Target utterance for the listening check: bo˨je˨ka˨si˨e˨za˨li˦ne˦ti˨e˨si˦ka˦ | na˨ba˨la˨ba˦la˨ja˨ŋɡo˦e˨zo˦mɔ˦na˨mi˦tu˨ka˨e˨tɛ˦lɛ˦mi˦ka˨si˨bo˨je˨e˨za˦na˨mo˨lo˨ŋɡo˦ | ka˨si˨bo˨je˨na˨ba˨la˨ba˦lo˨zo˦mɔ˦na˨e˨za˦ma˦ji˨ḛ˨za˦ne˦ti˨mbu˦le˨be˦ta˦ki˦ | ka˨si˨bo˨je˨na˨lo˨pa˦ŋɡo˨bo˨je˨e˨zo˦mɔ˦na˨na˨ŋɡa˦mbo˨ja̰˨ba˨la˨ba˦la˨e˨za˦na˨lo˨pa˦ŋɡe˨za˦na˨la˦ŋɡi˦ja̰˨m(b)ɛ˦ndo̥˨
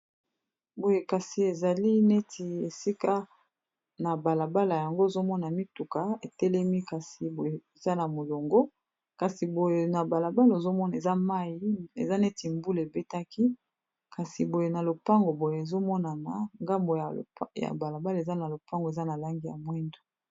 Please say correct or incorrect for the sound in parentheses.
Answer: incorrect